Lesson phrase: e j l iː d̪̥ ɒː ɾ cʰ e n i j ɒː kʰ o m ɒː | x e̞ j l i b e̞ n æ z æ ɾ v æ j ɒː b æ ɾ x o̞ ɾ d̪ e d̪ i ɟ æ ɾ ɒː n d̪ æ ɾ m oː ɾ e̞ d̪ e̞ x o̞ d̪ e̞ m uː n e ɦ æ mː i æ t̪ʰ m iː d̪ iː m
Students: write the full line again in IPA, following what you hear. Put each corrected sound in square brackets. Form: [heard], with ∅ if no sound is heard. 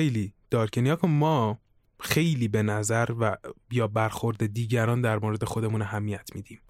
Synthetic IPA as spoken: e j l iː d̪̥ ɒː ɾ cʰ e n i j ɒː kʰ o m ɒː | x e̞ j l [iː] b e̞ n æ z æ ɾ v æ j ɒː b æ ɾ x o̞ ɾ d̪ e d̪ [iː] ɟ æ ɾ ɒː n d̪ æ ɾ m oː ɾ e̞ d̪ e̞ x o̞ d̪ e̞ m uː n [æ] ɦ æ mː i æ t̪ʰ m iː d̪ iː m